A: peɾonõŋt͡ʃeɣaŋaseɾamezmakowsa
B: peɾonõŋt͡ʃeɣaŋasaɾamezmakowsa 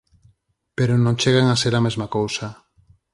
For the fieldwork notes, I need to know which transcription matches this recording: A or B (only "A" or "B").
A